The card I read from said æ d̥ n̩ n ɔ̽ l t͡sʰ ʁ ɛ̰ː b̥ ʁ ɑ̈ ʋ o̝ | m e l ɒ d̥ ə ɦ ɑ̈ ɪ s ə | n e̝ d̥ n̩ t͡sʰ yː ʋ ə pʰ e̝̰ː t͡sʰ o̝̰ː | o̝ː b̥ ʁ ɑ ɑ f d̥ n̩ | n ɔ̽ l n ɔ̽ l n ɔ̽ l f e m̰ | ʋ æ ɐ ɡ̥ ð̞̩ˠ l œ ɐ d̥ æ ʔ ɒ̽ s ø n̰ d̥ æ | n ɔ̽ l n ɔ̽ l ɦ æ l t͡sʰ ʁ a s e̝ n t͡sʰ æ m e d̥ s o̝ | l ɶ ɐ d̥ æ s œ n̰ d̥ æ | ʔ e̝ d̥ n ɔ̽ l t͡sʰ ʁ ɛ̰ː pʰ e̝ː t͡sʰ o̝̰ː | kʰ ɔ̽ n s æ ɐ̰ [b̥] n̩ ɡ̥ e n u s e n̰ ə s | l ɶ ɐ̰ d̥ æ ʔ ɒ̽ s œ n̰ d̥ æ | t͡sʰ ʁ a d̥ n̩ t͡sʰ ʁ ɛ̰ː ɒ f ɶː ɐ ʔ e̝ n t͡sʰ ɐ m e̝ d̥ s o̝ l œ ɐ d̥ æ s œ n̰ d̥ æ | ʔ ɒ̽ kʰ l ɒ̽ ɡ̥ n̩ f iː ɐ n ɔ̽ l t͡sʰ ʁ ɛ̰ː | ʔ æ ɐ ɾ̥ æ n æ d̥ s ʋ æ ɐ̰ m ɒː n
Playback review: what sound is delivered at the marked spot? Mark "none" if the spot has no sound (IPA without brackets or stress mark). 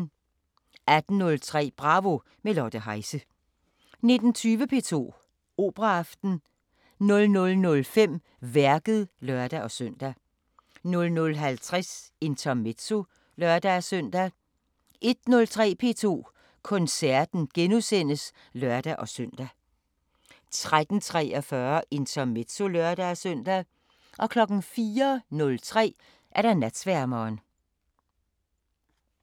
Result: d̥